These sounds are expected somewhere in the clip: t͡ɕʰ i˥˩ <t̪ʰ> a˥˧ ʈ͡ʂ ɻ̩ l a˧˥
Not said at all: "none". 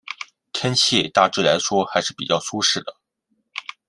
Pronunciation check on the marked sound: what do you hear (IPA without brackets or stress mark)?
t̪